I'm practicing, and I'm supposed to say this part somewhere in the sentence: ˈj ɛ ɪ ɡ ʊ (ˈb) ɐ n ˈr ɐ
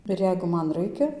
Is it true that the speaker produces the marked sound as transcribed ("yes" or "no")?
no